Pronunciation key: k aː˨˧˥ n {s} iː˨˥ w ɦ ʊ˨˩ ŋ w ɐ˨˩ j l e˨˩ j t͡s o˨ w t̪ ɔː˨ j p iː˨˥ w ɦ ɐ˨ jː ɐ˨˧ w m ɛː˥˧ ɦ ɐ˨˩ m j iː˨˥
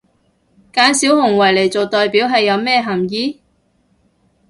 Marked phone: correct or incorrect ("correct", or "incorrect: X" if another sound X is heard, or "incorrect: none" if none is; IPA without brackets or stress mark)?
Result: correct